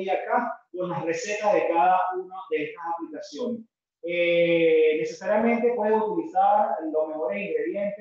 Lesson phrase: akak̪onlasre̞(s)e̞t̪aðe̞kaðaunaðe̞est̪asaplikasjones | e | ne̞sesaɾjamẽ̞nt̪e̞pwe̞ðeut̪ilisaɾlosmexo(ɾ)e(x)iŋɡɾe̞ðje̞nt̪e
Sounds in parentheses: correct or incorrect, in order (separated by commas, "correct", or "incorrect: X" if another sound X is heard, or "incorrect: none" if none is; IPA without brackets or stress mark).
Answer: correct, correct, incorrect: s